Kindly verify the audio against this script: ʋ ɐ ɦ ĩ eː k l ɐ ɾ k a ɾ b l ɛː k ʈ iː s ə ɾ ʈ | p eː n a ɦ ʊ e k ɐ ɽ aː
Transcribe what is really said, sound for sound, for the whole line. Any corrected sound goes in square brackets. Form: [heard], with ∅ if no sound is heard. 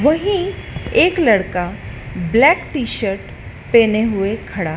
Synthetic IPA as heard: ʋ ɐ ɦ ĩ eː k l ɐ [ɽ] k a [∅] b l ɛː k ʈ iː [ʃ] ə ɾ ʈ | p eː n [e] ɦ ʊ e [kʰ] ɐ ɽ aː